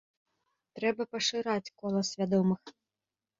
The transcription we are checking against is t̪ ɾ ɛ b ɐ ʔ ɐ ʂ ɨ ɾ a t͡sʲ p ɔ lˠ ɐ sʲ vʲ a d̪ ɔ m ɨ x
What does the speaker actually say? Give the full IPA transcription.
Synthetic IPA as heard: t̪ ɾ ɛ b ɐ p ɐ ʂ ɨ ɾ a t͡sʲ k ɔ lˠ ɐ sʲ vʲ a d̪ ɔ m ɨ x